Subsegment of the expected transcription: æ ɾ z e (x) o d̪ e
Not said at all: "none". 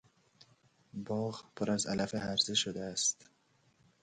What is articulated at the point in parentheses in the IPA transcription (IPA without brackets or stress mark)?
ʃ